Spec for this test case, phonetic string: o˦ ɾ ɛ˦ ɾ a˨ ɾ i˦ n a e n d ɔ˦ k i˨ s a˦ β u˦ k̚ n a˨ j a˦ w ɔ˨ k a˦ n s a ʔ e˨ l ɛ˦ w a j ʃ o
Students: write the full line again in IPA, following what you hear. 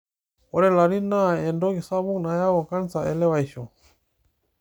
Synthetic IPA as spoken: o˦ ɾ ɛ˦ l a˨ ɾ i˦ n a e n d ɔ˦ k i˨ s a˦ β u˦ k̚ n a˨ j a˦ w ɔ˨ k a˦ n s a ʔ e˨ l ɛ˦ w a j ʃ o